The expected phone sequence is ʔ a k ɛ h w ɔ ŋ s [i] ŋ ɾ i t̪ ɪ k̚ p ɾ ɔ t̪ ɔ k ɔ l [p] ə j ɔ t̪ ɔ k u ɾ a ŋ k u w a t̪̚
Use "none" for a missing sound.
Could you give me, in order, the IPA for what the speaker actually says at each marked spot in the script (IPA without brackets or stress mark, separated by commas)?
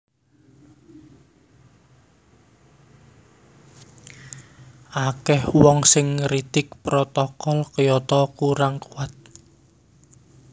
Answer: ɪ, k